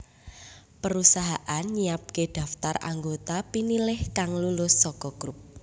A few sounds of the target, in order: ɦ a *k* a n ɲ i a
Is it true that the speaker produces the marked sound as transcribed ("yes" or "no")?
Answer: no